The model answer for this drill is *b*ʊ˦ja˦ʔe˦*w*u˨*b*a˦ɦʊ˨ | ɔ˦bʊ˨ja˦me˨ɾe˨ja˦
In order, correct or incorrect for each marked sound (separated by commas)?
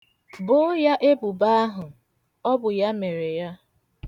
correct, incorrect, correct